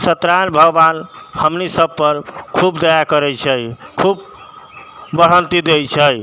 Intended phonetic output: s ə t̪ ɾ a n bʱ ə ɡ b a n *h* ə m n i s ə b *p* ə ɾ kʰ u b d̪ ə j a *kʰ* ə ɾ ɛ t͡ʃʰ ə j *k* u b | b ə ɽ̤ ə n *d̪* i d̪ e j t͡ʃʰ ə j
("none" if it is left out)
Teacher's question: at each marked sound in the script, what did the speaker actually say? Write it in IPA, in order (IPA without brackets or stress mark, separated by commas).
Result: h, p, k, kʰ, t̪